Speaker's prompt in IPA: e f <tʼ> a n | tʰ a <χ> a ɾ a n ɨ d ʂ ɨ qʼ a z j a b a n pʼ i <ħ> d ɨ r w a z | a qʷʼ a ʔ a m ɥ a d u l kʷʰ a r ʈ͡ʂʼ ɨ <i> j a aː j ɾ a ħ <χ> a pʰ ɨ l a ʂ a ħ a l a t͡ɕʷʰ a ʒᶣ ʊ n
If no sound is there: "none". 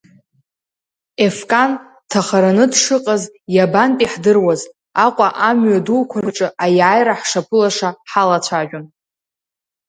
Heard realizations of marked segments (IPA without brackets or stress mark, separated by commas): kʼ, χ, ħ, a, ʂ